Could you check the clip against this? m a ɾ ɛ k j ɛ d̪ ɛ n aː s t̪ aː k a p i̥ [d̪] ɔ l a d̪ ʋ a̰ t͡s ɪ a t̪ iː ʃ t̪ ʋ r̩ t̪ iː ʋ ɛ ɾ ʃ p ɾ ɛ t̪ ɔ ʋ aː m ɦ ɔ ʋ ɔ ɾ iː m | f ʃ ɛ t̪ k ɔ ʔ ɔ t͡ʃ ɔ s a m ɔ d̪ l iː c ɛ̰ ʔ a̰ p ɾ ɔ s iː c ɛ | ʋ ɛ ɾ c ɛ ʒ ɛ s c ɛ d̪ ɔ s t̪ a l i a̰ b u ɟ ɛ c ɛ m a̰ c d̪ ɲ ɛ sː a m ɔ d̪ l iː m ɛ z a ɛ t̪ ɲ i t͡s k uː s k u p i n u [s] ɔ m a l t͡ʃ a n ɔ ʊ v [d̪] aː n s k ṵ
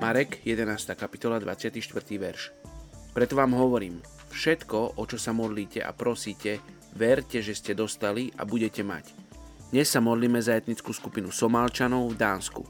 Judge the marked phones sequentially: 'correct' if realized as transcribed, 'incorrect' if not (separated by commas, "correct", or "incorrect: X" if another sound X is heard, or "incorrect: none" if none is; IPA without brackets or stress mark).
incorrect: t̪, correct, correct